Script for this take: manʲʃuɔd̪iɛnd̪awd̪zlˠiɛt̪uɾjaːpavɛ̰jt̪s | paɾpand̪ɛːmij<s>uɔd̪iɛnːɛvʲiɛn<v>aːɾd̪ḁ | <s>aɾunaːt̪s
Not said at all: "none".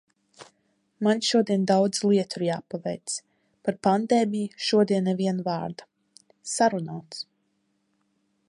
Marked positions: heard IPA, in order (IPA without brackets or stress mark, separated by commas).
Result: ʃ, v, s